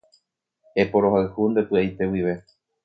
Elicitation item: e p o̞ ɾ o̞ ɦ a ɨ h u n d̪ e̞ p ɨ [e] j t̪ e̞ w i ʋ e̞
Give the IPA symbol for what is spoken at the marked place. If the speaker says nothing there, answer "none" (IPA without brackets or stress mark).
a